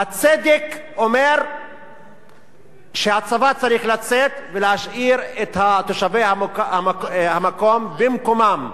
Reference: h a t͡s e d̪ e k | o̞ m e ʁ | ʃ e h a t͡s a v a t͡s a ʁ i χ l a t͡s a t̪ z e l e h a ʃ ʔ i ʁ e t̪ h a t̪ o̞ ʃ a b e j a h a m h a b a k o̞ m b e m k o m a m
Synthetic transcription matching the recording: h a t͡s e d̪ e k | o̞ m e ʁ | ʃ e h a t͡s a v a t͡s a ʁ i χ l a t͡s e t̪ v e l e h a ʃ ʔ i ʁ e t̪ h a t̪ o̞ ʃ a v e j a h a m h a m a k o̞ m b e m k o m a m